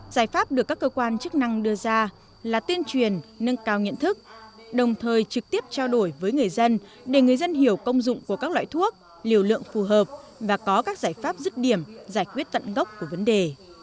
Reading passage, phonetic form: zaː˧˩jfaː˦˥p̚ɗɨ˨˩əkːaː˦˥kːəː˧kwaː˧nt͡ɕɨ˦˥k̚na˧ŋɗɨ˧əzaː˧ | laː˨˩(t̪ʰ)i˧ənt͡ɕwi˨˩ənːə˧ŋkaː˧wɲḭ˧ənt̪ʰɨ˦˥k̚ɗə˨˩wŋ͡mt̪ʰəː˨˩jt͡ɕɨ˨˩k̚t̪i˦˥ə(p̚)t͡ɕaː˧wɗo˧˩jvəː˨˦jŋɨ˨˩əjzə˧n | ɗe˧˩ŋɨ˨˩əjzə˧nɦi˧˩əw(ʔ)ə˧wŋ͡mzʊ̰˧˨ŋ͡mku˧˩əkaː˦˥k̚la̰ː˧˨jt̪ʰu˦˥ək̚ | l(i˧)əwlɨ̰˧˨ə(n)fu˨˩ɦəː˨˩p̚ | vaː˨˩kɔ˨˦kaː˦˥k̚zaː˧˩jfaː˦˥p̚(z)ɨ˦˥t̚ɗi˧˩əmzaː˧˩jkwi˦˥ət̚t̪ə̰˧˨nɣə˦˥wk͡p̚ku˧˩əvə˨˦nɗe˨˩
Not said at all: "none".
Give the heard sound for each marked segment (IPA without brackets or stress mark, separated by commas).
t̪, p̚, k, i˨˩, ŋ, z